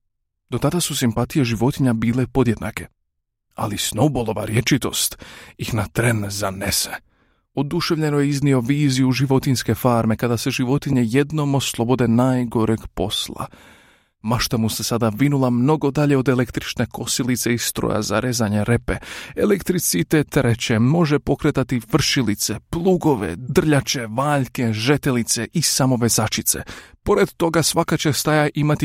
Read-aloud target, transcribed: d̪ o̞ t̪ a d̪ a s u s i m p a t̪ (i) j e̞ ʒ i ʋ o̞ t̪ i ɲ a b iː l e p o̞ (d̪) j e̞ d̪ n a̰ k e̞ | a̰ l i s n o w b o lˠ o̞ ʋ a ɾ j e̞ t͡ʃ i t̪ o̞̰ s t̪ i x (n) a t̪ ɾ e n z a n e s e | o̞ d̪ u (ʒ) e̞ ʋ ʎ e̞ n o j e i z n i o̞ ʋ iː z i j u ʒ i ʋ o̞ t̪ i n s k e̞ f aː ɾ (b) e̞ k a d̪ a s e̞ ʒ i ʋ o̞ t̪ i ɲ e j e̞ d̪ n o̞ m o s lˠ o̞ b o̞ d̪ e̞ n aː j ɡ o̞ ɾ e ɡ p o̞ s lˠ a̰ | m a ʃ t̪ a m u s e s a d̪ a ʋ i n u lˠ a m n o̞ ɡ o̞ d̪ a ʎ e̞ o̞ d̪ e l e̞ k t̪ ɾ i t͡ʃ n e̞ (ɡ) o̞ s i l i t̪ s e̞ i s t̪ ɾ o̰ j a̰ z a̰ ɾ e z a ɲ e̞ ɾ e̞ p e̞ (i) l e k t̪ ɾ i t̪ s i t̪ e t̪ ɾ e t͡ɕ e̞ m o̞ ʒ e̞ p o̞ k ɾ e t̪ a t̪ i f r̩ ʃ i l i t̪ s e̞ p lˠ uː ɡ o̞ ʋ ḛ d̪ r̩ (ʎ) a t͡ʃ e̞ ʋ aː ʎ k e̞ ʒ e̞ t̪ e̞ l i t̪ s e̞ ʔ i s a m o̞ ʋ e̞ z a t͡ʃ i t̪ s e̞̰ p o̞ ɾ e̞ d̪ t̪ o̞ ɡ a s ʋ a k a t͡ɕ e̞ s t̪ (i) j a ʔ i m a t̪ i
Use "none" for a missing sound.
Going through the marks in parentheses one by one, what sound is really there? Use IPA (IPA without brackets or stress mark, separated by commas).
i, d̪, n, ʃ, m, k, e, ʎ, a